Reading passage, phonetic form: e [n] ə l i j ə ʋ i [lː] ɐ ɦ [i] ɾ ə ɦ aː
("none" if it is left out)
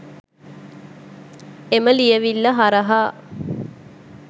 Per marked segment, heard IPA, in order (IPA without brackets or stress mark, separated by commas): m, lː, a